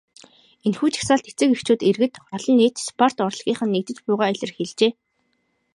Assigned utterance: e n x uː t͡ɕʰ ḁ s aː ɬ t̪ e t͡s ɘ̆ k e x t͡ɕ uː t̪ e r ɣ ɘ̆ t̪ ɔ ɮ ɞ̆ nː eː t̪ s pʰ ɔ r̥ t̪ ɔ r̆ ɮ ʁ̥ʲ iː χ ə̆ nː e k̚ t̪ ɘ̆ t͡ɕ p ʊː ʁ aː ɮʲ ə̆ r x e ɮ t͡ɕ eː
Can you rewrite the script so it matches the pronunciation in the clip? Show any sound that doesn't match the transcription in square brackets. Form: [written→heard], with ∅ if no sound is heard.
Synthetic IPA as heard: e n x uː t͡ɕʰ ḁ s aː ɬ t̪ e t͡s ɘ̆ k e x t͡ɕ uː t̪ e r ɣ ɘ̆ t̪ ɔ ɮ ɞ̆ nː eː t̪ s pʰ ɔ r̥ t̪ ɔ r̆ ɮ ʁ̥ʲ iː χ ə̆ nː e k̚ t̪ ɘ̆ t͡ɕ p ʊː ʁ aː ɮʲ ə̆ r x e ɮ t͡ɕ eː